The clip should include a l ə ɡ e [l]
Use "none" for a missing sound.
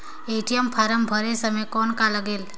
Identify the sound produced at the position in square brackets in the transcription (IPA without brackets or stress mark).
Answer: l